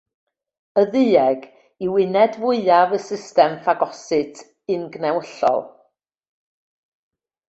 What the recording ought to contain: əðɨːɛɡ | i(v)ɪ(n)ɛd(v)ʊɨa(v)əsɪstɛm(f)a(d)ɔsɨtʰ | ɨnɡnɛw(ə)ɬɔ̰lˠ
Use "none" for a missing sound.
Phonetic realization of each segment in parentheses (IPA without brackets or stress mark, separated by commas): w, n, v, v, f, ɡ, ə